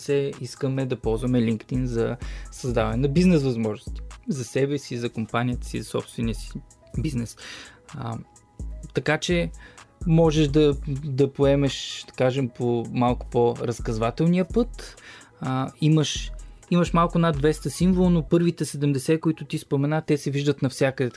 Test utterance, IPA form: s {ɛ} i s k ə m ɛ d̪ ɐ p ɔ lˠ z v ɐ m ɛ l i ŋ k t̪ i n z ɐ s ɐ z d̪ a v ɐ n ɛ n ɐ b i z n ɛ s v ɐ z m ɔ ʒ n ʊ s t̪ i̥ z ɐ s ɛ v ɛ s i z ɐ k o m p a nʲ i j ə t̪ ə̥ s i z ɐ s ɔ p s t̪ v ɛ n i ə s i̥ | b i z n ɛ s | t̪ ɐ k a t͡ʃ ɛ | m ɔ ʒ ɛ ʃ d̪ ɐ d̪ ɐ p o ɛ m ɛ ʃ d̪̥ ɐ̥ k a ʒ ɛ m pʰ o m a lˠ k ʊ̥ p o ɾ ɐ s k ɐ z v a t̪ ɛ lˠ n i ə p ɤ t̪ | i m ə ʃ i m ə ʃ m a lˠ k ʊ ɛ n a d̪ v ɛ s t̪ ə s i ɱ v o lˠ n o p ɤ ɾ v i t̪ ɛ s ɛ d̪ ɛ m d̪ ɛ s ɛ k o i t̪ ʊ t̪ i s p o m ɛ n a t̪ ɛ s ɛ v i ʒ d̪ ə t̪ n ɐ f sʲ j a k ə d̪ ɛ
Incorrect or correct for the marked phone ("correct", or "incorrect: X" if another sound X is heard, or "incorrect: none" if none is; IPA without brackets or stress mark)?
correct